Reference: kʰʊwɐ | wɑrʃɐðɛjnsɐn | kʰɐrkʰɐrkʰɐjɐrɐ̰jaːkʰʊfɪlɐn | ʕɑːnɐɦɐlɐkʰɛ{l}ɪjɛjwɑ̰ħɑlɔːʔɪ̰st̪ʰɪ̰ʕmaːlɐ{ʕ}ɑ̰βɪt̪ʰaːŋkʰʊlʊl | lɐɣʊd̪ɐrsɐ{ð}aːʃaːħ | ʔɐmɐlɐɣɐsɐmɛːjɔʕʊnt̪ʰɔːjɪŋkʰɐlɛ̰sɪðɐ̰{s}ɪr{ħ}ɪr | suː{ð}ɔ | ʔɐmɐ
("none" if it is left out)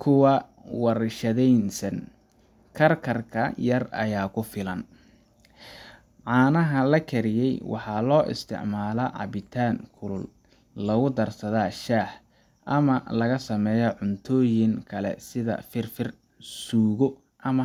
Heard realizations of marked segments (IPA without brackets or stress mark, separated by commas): ɾ, ʕ, ð, f, f, ɣ